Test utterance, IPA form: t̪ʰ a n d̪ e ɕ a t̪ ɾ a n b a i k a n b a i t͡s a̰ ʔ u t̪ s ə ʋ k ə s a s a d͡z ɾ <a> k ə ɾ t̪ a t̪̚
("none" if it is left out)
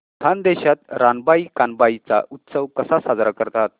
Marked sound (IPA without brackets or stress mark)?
a